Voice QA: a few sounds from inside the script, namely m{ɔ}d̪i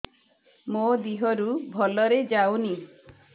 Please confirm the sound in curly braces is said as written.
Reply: no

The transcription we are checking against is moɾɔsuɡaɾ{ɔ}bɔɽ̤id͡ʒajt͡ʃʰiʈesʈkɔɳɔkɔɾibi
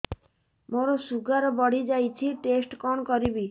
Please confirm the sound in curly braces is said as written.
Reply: yes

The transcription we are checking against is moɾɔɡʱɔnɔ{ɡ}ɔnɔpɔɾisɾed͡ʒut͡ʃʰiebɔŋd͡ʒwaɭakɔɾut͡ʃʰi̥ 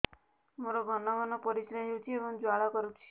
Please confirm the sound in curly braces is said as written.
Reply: yes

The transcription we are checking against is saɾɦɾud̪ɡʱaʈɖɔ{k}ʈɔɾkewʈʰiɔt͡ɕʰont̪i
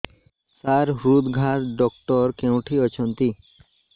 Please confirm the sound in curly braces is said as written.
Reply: yes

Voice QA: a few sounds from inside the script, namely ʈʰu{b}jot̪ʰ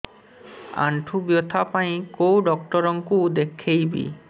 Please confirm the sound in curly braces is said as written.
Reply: yes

